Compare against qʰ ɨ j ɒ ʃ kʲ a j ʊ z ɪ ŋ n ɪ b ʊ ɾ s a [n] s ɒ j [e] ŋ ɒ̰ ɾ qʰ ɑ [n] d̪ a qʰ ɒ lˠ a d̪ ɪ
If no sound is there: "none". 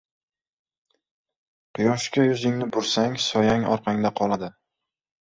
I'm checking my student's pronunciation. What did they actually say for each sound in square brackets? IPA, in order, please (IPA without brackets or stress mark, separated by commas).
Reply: ŋ, a, ŋ